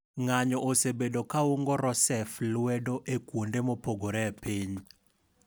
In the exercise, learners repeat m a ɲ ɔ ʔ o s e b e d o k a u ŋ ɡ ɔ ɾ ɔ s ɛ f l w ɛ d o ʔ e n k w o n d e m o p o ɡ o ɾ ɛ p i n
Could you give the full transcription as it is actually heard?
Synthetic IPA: ŋ a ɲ ɔ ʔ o s e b e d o k a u ŋ ɡ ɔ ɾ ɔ s ɛ f l w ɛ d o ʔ e k w o n d e m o p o ɡ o ɾ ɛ p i ɲ